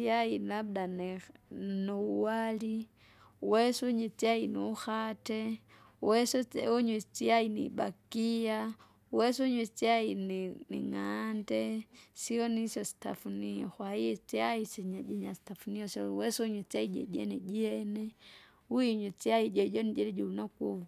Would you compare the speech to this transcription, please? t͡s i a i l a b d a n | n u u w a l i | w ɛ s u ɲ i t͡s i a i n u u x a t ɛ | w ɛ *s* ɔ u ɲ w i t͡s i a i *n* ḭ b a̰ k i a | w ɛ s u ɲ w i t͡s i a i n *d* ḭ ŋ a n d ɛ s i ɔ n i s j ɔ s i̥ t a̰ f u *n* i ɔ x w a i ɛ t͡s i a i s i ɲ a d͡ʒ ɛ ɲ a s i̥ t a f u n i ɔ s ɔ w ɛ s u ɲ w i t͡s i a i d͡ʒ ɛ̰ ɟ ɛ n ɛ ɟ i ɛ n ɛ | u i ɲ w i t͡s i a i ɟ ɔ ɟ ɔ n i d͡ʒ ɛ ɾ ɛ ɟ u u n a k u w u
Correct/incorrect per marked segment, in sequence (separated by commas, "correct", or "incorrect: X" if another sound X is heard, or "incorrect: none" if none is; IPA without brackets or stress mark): correct, correct, incorrect: n, correct